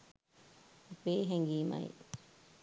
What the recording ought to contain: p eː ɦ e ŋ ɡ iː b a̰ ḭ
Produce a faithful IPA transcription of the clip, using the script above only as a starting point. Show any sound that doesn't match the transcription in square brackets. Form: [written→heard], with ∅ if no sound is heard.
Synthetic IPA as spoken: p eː ɦ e ŋ ɡ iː [b→m] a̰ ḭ